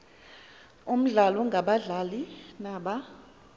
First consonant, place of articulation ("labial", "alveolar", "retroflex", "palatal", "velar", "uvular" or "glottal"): labial